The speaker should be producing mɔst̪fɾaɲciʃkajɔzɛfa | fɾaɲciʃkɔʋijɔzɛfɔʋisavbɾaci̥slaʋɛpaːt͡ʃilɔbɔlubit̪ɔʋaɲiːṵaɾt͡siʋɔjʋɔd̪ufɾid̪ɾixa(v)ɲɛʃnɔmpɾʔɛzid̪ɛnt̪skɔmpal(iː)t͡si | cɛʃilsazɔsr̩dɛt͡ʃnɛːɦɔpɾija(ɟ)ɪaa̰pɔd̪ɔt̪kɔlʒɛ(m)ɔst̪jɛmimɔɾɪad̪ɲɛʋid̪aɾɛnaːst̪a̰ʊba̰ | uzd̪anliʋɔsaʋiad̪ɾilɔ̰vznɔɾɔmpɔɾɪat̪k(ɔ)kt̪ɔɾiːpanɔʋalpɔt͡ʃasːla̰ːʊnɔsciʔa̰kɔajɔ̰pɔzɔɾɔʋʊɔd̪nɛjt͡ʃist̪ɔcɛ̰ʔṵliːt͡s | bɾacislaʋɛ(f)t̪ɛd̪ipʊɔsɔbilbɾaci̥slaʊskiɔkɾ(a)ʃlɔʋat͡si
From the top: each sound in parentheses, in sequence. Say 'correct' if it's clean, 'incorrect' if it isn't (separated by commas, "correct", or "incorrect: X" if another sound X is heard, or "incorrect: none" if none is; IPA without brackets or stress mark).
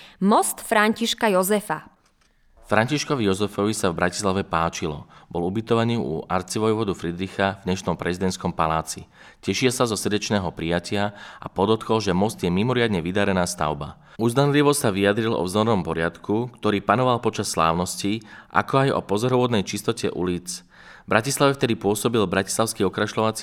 correct, incorrect: aː, incorrect: c, correct, incorrect: u, correct, correct